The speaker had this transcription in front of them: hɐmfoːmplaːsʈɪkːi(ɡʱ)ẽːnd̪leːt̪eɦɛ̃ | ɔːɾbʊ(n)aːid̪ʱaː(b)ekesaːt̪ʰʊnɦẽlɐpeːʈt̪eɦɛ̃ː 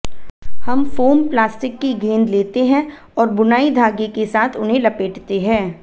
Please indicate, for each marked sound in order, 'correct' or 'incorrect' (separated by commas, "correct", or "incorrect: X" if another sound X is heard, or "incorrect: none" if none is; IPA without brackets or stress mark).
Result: correct, correct, incorrect: ɡ